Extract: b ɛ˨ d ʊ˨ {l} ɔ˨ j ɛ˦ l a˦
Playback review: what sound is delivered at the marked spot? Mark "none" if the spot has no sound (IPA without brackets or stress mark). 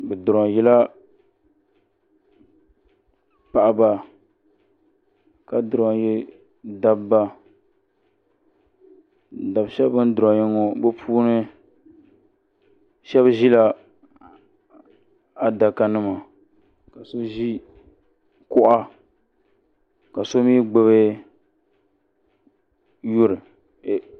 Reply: ɾ